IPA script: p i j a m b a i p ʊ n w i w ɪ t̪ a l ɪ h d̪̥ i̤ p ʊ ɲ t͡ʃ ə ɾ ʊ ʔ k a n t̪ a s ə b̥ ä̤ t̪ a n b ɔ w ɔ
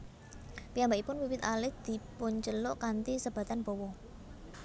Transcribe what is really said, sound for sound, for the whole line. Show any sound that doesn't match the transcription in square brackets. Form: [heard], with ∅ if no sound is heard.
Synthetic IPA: p i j a m b a i p ʊ n w i w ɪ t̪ a l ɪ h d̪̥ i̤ p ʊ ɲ t͡ʃ ə [l] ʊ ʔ k a n t̪ [i] s ə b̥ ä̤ t̪ a n b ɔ w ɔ